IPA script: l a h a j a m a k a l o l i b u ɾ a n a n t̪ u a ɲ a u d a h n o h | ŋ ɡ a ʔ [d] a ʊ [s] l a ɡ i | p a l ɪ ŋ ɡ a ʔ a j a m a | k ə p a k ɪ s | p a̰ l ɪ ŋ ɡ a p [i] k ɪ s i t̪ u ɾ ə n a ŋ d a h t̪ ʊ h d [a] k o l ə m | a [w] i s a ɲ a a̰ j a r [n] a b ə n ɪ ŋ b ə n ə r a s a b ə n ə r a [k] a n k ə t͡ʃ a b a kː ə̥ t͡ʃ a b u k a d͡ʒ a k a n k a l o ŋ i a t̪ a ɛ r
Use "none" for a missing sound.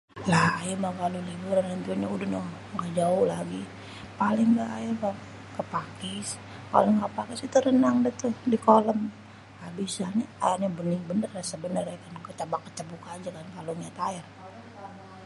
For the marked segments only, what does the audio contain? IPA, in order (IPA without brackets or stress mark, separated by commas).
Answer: d͡ʒ, h, a, i, b, ɲ, k